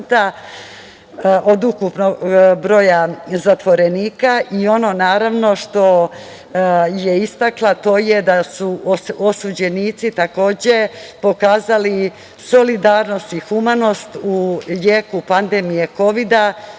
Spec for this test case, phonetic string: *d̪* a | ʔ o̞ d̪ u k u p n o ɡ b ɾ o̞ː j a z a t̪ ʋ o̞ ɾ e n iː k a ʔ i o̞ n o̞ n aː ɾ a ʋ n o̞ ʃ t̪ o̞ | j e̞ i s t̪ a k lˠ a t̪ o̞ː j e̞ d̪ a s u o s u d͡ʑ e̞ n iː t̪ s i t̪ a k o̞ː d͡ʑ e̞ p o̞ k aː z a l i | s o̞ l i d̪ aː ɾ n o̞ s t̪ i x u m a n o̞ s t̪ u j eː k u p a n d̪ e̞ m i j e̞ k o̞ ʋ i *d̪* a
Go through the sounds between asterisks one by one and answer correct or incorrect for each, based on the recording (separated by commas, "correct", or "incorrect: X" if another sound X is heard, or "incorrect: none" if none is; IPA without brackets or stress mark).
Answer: incorrect: t̪, correct